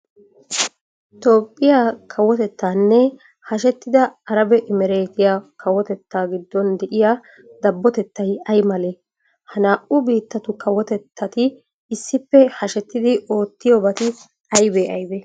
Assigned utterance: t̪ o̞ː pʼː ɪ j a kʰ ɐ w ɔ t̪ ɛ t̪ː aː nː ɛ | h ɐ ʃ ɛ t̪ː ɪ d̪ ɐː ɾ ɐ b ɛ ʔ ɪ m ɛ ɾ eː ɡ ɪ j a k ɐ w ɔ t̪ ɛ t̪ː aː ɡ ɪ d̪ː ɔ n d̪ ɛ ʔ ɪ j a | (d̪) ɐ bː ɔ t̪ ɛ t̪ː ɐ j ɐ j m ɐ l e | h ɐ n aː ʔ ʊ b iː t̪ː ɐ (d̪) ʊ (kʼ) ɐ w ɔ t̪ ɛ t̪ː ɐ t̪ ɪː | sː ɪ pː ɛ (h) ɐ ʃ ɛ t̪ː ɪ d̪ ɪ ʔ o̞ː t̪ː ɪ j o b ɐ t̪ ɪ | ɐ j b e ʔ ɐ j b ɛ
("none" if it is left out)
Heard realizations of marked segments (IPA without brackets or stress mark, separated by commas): d̪, t̪, k, h